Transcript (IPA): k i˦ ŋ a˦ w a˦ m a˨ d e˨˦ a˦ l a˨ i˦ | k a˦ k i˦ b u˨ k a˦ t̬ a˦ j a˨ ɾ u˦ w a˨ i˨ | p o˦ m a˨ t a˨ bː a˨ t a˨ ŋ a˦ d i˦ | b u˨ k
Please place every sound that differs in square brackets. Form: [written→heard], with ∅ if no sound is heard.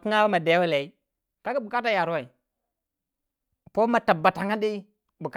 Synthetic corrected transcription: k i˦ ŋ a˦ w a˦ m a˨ d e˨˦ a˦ l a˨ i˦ | k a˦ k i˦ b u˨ k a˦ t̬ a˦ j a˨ ɾ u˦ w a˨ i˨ | p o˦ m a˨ t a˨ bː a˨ t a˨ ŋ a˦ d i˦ | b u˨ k

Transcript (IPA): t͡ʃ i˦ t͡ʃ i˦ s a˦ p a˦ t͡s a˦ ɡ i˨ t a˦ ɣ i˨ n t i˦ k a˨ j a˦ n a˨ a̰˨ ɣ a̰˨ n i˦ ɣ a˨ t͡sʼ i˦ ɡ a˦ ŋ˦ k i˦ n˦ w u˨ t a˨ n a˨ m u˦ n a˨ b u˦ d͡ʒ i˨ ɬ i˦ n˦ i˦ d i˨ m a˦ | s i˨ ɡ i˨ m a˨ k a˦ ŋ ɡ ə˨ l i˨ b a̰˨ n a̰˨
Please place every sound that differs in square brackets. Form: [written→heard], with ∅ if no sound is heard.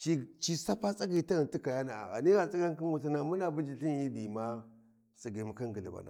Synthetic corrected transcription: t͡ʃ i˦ t͡ʃ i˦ s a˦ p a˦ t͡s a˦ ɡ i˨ t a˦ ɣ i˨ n t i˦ k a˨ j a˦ n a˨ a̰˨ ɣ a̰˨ n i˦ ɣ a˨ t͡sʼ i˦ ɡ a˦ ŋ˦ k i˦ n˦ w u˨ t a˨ n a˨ m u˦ n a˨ b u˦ d͡ʒ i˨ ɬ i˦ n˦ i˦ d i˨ m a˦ | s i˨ ɡ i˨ m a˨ k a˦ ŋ ɡ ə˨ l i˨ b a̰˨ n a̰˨

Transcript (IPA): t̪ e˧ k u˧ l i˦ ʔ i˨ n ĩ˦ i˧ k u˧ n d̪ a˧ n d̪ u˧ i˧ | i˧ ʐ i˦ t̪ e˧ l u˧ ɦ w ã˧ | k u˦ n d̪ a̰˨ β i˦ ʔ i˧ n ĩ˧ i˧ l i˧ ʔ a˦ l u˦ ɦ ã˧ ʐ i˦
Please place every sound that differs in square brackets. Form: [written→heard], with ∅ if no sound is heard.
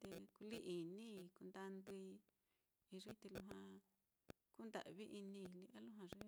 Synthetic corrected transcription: t̪ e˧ k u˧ l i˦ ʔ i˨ n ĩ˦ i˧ k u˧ n d̪ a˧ n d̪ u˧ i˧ | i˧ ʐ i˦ t̪ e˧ l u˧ ɦ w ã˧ | k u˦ n d̪ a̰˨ β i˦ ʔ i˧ n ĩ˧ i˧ l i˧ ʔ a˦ l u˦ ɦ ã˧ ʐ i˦

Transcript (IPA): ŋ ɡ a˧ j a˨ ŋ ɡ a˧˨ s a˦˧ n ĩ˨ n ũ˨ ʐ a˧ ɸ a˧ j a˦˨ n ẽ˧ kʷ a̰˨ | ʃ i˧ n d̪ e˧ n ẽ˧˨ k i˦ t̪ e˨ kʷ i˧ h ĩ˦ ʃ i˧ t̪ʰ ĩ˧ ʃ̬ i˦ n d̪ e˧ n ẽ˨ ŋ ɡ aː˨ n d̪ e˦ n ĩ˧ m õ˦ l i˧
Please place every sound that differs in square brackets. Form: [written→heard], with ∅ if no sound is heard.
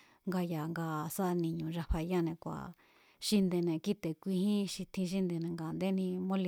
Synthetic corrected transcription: ŋ ɡ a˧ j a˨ ŋ ɡ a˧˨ s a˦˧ n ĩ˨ [n→ɲ] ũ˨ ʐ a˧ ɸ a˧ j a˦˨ n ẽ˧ kʷ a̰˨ | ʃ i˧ n d̪ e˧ n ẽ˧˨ k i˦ t̪ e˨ kʷ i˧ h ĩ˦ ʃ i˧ t̪ʰ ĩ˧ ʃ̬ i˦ n d̪ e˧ n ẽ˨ ŋ ɡ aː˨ n d̪ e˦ n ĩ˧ m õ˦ l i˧

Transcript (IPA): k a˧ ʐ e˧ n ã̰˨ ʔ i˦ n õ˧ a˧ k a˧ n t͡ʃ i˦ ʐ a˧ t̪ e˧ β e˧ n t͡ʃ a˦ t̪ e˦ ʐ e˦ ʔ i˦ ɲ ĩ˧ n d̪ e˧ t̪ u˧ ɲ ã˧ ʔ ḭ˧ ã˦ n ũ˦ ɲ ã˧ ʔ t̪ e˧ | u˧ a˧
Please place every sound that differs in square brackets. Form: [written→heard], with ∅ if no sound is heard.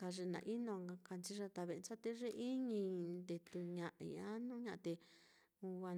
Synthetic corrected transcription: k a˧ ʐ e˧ n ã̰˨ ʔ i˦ n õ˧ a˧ k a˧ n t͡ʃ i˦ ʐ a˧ t̪ [e˧→a˧] β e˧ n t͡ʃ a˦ t̪ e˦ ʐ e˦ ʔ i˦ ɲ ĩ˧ n d̪ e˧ t̪ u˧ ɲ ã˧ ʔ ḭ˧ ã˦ n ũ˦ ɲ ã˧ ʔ t̪ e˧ | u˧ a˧

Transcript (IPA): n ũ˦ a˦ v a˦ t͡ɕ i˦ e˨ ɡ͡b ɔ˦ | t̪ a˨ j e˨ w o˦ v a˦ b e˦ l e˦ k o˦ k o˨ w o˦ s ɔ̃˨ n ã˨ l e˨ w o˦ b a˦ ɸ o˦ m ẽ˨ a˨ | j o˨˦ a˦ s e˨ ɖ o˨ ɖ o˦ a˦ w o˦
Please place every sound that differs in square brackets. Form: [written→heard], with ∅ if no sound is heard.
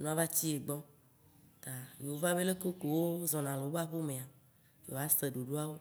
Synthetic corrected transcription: n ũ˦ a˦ v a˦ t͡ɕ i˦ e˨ ɡ͡b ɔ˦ | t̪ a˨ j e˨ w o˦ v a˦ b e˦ l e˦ k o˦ k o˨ w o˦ [s→z] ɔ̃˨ n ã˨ l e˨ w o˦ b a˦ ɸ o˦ m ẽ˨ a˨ | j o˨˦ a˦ s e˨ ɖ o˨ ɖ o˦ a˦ w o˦

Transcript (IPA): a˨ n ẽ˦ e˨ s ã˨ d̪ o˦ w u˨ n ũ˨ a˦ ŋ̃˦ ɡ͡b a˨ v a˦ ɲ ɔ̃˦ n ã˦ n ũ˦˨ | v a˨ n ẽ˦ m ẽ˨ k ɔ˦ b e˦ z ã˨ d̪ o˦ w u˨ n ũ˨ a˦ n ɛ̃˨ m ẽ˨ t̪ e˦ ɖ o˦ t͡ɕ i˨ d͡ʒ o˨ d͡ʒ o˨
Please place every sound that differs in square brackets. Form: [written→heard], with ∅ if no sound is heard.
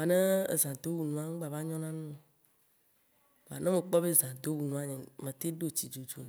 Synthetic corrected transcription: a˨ n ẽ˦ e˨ [s→z] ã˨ d̪ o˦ w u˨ n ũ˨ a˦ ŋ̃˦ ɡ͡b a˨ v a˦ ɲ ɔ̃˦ n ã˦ n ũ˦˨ | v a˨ n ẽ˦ m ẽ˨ [k→k͡p] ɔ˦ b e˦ z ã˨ d̪ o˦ w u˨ n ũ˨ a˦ [n→ɲ] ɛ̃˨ m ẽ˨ t̪ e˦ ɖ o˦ t͡ɕ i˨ d͡ʒ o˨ d͡ʒ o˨

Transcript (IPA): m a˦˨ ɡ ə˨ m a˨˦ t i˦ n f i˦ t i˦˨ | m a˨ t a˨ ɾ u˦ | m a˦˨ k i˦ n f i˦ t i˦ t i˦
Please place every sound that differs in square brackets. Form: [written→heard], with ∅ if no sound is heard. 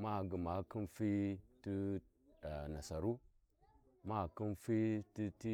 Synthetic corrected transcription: m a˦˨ ɡ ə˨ m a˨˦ [t→k] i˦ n f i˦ t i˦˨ | [m→n] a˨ [t→s] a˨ ɾ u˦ | m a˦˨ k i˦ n f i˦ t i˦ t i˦

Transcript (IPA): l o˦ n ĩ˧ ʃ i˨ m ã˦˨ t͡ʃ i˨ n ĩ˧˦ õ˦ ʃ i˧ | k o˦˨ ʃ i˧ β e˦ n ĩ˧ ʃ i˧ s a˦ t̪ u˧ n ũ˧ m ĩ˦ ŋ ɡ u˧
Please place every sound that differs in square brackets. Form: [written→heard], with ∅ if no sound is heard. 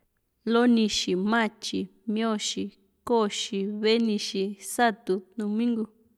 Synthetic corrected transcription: l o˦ n ĩ˧ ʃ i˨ m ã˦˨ t͡ʃ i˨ [n→m] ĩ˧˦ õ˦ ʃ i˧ | k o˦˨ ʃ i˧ β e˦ n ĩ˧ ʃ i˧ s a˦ t̪ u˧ n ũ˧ m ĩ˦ ŋ ɡ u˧

